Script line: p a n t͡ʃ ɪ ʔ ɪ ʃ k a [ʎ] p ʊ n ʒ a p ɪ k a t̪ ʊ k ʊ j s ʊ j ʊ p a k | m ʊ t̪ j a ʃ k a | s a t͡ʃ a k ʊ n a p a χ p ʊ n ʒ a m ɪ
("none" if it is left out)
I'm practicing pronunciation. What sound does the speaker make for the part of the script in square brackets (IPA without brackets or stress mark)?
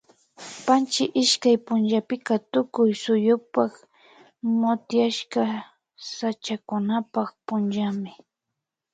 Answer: j